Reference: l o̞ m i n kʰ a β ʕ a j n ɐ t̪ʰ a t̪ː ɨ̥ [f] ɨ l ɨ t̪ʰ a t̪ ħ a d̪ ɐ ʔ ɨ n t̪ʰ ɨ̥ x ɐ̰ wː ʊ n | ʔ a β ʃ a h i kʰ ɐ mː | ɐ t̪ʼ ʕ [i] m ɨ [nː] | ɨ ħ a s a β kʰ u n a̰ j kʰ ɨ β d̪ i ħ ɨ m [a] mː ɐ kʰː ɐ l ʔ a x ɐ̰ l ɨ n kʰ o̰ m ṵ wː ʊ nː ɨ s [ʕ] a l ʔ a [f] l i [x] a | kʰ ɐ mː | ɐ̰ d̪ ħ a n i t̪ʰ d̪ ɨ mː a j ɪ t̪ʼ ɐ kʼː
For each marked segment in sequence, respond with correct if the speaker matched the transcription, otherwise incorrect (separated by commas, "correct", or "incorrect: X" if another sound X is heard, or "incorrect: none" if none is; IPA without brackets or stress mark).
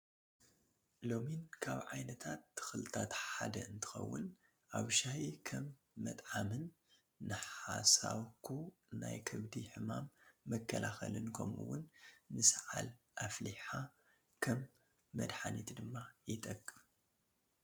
incorrect: x, incorrect: a, correct, correct, correct, correct, incorrect: ħ